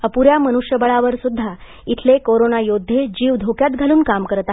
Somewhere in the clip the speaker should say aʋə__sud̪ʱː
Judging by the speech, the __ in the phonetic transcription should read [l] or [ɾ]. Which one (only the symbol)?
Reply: ɾ